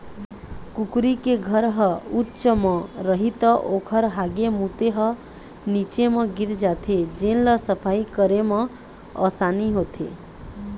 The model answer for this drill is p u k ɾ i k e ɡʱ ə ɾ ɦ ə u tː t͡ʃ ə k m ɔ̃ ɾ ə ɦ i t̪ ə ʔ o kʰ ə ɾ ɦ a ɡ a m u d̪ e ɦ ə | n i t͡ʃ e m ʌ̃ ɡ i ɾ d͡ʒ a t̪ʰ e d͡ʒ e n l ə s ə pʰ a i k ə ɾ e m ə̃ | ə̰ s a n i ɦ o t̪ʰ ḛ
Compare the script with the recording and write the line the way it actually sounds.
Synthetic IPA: k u k ɾ i k e ɡʱ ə ɾ ɦ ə u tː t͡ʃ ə m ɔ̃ ɾ ə ɦ i t̪ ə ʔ o kʰ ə ɾ ɦ a ɡ e m u t̪ e ɦ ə | n i t͡ʃ e m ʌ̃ ɡ i ɾ d͡ʒ a t̪ʰ e d͡ʒ e n l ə s ə pʰ a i k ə ɾ e m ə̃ | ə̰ s a n i ɦ o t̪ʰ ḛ

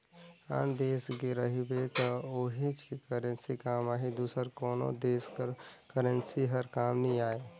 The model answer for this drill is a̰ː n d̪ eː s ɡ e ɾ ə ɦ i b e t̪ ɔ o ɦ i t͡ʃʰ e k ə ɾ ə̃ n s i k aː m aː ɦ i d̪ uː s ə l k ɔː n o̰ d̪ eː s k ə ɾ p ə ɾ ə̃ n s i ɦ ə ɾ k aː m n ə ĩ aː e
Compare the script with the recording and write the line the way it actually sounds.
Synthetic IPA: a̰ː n d̪ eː s ɡ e ɾ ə ɦ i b e t̪ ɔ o ɦ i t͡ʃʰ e k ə ɾ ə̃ n s i k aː m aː ɦ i d̪ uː s ə ɾ k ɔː n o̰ d̪ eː s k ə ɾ k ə ɾ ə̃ n s i ɦ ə ɾ k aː m n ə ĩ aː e

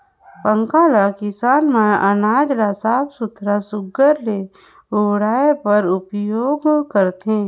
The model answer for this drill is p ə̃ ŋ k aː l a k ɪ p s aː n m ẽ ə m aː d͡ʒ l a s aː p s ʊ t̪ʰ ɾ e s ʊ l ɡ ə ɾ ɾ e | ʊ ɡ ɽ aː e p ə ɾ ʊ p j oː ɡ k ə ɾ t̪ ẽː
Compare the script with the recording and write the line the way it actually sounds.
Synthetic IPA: p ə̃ ŋ k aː l a k ɪ s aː n m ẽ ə n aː d͡ʒ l a s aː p s ʊ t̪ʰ ɾ a s ʊ ɡ ə ɾ l e | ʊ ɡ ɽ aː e p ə ɾ ʊ p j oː ɡ k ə ɾ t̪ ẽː

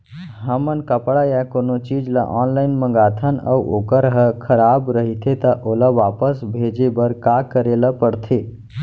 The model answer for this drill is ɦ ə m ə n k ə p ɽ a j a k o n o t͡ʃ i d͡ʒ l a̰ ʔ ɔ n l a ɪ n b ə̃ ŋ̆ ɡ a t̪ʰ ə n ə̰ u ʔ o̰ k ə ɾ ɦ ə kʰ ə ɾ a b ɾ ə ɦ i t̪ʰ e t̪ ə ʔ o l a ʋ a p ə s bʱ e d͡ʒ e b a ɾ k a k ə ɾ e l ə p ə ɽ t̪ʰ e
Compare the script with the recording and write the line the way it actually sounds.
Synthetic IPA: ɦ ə m ə n k ə p ɽ a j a k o n o t͡ʃ i d͡ʒ l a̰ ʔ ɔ n l a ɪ n m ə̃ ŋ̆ ɡ a t̪ʰ ə n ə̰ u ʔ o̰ k ə ɾ ɦ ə kʰ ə ɾ a b ɾ ə ɦ i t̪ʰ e t̪ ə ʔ o l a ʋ a p ə s bʱ e d͡ʒ e b ə ɾ k a k ə ɾ e l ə p ə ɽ t̪ʰ e

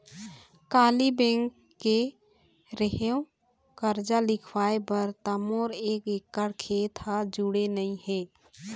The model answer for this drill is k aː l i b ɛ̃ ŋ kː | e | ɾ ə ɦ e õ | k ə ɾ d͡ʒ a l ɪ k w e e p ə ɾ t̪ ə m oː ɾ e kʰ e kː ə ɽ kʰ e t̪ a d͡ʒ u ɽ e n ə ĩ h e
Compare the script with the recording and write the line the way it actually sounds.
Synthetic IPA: k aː l i b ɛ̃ ŋ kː | e | ɾ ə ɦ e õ | k ə ɾ d͡ʒ a l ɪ kʰ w a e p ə ɾ t̪ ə m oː ɾ e k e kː ə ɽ kʰ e t̪ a d͡ʒ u ɽ e n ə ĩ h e

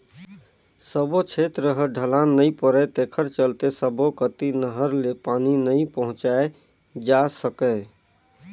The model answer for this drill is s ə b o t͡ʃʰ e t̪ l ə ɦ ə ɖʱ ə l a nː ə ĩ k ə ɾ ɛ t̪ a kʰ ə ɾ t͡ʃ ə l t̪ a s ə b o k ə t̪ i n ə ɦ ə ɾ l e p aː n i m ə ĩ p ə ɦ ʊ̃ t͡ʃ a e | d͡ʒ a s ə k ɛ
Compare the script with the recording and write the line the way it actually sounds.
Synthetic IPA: s ə b o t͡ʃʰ e t̪ ɾ ə ɦ ə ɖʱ ə l a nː ə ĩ p ə ɾ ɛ t̪ e kʰ ə ɾ t͡ʃ ə l t̪ e s ə b o k ə t̪ i n ə ɦ ə ɾ l e p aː n i n ə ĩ p ə ɦ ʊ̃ t͡ʃ a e | d͡ʒ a s ə k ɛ

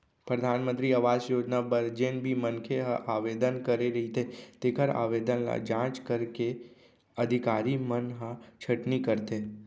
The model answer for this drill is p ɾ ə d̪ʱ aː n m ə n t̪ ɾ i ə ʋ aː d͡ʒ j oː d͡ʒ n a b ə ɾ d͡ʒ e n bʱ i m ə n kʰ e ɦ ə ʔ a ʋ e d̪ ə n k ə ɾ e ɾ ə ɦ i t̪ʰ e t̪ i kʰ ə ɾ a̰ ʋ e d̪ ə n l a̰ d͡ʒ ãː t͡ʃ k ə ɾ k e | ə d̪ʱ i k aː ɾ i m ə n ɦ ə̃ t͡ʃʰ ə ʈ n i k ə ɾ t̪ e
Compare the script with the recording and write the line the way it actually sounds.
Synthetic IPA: p ɾ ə d̪ʱ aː n m ə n t̪ ɾ i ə ʋ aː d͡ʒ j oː d͡ʒ n a b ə ɾ d͡ʒ e n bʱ i m ə n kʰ e ɦ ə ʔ a ʋ e d̪ ə n k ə ɾ e ɾ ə ɦ i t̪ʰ e t̪ e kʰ ə ɾ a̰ ʋ e d̪ ə n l a̰ d͡ʒ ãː t͡ʃ k ə ɾ k e | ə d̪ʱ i k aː ɾ i m ə n ɦ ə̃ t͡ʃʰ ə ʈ n i k ə ɾ t̪ e

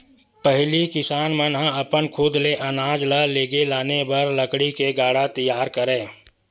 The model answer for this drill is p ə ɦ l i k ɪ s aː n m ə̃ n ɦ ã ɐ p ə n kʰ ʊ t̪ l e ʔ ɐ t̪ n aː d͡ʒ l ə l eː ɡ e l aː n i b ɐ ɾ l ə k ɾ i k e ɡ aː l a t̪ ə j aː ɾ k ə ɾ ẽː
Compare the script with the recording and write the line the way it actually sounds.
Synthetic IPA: p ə ɦ l i k ɪ s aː n m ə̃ n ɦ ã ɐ p ə n kʰ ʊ d̪ l e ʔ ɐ n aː d͡ʒ l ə l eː ɡ e l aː n e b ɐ ɾ l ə k ɽ i k e ɡ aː ɽ a t̪ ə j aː ɾ k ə ɾ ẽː

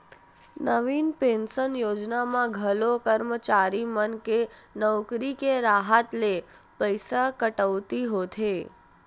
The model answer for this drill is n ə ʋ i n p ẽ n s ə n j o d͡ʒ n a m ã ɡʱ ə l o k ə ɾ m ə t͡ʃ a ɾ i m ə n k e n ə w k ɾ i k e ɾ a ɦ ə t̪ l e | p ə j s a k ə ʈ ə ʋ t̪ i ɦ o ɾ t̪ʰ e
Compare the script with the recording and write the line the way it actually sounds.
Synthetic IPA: n ə ʋ i n p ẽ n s ə n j o d͡ʒ n a m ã ɡʱ ə l o k ə ɾ m ə t͡ʃ a ɾ i m ə n k e n ə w k ɾ i k e ɾ a ɦ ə t̪ l e | p ə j s a k ə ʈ ə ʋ t̪ i ɦ o t̪ʰ e

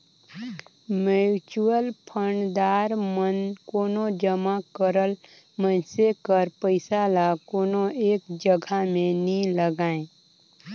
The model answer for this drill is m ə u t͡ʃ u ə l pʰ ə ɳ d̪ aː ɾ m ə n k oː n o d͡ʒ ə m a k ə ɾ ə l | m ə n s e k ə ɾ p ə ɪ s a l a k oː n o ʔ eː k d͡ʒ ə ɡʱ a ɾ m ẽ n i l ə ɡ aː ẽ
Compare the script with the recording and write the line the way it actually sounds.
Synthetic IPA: m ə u t͡ʃ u ə l pʰ ə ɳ d̪ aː ɾ m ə n k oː n o d͡ʒ ə m a k ə ɾ ə l | m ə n s e k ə ɾ p ə ɪ s a l a k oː n o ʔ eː k d͡ʒ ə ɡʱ a m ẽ n i l ə ɡ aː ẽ

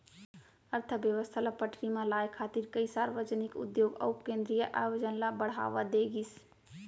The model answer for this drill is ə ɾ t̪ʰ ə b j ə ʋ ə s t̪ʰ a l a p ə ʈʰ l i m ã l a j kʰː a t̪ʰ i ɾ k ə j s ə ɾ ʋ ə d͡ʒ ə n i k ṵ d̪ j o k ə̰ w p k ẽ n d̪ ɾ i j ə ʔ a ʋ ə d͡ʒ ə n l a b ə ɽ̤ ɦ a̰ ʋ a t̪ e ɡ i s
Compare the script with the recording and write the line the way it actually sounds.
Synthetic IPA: ə ɾ t̪ʰ ə b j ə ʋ ə s t̪ʰ a l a p ə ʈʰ ɾ i m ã l a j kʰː a t̪ i ɾ k ə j s a ɾ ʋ ə d͡ʒ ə n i k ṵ d̪ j o ɡ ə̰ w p k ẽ n d̪ ɾ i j ə ʔ a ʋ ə d͡ʒ ə n l a b ə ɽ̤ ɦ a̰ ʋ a d̪ e ɡ i s

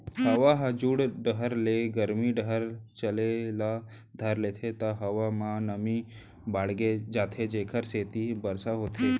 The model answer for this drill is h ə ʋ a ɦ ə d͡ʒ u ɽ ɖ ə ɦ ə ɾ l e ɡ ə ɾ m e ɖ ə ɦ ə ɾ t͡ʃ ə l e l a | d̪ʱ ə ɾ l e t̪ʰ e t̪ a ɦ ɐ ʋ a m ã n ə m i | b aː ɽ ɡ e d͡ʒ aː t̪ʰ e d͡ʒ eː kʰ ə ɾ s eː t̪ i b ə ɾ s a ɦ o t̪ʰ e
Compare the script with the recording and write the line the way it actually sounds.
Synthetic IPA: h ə ʋ a ɦ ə d͡ʒ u ɽ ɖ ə ɦ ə ɾ l e ɡ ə ɾ m i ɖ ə ɦ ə ɾ t͡ʃ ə l e l a | d̪ʱ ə ɾ l e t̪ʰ e t̪ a ɦ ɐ ʋ a m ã n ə m i | b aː ɽ ɡ e d͡ʒ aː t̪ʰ e d͡ʒ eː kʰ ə ɾ s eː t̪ i b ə ɾ s a ɦ o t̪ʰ e

